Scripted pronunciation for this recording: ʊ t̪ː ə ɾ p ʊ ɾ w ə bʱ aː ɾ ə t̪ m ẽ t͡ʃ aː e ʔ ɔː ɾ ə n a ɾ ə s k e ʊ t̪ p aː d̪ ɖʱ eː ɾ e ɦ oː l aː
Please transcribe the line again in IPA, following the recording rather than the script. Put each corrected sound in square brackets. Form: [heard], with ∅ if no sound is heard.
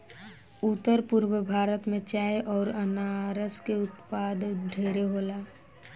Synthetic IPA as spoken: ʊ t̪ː ə ɾ p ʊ ɾ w ə bʱ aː ɾ ə t̪ m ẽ t͡ʃ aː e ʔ ɔː ɾ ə n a ɾ ə s k e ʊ t̪ p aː d̪ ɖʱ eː ɾ e ɦ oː l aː